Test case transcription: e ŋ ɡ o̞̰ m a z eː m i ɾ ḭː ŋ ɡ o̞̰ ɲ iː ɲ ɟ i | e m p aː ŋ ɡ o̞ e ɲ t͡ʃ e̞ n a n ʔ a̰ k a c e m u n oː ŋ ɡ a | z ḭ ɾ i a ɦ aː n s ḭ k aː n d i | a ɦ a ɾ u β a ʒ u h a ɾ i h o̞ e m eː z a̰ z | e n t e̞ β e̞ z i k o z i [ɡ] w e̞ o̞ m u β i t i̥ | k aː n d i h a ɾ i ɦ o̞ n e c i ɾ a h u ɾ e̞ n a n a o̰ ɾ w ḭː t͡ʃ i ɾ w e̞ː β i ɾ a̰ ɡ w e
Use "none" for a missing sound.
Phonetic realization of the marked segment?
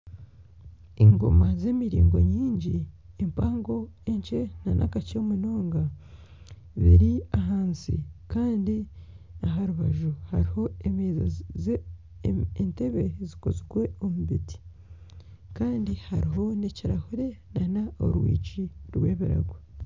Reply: ɡ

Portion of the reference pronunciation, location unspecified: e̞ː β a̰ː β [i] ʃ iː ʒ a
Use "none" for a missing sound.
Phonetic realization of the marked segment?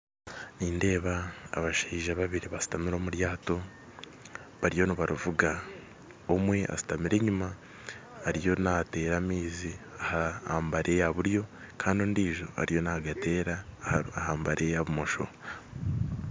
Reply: a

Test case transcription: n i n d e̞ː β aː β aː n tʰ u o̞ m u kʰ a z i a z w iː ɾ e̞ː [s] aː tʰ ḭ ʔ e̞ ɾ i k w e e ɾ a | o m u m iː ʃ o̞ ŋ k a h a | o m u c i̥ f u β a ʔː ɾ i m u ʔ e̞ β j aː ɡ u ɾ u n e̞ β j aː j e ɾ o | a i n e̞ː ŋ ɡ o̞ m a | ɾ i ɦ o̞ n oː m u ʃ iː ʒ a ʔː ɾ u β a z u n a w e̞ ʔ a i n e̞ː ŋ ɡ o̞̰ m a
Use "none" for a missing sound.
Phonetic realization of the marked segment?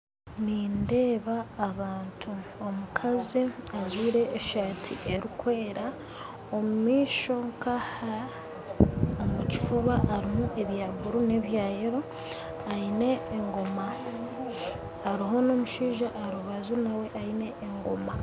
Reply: ʃ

